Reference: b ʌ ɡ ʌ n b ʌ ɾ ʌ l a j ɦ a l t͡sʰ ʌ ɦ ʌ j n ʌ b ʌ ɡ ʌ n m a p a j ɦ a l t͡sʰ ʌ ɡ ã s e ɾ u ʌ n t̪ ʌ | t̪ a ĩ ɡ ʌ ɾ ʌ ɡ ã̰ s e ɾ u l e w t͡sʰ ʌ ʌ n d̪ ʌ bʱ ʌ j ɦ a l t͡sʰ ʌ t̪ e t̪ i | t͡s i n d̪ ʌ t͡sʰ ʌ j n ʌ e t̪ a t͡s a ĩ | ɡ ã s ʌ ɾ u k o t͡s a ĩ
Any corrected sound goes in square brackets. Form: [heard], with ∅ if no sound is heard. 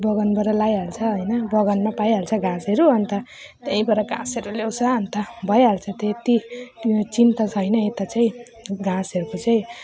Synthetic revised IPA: b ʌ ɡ ʌ n b ʌ ɾ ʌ l a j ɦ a l t͡sʰ ʌ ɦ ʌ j n ʌ b ʌ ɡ ʌ n m a p a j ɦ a l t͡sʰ ʌ ɡ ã s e ɾ u ʌ n t̪ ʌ | t̪ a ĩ [b] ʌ ɾ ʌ ɡ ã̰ s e ɾ u l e w t͡sʰ ʌ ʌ n [t̪] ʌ bʱ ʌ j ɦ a l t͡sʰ ʌ t̪ e t̪ i | t͡s i n [t̪] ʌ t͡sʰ ʌ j n ʌ e t̪ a t͡s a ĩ | ɡ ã s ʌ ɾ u k o t͡s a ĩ